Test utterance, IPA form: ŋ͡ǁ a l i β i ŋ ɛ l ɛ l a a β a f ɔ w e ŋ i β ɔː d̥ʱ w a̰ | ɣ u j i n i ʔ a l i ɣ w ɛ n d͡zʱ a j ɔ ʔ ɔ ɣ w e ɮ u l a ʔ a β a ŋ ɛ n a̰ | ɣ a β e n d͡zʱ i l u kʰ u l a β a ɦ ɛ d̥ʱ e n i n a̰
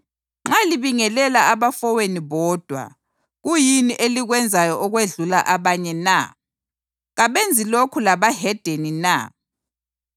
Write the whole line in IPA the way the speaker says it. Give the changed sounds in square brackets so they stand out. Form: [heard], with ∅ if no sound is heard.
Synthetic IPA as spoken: ŋ͡ǁ a l i β i ŋ ɛ l ɛ l a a β a f ɔ w e [n] i β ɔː d̥ʱ w a̰ | ɣ u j i n i ʔ [e] l i ɣ w ɛ n d͡zʱ a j ɔ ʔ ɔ ɣ w e ɮ u l a ʔ a β a [ɲ] ɛ n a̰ | ɣ a β e n d͡zʱ i l [o] kʰ u l a β a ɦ ɛ d̥ʱ e n i n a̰